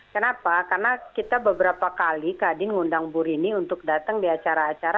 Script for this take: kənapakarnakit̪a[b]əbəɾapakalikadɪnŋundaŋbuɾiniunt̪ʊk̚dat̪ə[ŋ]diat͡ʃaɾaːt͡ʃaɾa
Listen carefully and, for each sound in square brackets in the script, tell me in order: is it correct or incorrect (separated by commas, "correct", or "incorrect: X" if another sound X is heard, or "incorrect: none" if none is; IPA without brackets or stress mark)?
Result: correct, correct